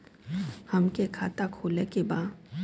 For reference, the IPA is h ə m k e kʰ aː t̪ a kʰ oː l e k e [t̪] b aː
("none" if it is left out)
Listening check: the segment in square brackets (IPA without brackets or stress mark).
none